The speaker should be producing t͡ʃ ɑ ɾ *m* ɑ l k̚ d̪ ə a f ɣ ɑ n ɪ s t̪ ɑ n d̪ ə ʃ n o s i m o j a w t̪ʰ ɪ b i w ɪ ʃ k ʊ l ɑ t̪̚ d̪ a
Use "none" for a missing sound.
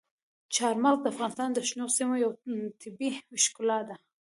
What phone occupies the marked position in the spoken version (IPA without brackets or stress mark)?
m